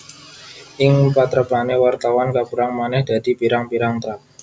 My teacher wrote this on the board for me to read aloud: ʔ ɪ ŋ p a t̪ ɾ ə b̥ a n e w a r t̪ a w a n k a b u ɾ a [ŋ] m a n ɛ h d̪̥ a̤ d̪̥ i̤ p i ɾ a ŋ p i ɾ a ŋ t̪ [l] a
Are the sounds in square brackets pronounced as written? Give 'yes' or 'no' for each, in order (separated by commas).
yes, no